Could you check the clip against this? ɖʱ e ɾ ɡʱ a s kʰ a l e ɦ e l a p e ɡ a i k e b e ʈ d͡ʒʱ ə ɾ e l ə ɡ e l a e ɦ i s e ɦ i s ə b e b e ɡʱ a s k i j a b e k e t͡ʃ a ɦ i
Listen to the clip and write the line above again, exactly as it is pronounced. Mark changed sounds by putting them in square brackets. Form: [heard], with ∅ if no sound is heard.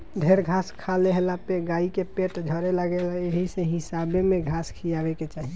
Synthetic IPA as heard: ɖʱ e ɾ ɡʱ a s kʰ a l e ɦ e l a p e ɡ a i k e [p] e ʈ d͡ʒʱ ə ɾ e l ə ɡ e l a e ɦ i s e ɦ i s [a] b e [m] e ɡʱ a s [kʰ] i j a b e k e t͡ʃ a ɦ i